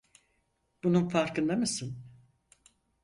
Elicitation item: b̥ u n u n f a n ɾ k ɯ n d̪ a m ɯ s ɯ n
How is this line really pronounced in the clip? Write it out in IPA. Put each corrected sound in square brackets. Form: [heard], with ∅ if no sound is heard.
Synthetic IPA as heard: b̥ u n u n f a [∅] ɾ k ɯ n d̪ a m ɯ s ɯ n